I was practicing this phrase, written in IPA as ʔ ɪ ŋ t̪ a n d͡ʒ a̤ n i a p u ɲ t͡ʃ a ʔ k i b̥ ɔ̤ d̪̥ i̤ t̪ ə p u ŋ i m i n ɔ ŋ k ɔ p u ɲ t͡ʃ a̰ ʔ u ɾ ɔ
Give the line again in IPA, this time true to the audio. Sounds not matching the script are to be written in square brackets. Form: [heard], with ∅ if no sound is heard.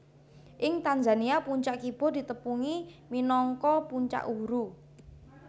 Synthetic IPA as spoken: ʔ ɪ ŋ t̪ a n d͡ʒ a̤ n i a p u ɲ t͡ʃ a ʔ k i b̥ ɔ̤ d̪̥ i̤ t̪ ə p u ŋ i m i n ɔ ŋ k ɔ p u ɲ t͡ʃ a̰ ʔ u ɾ [u]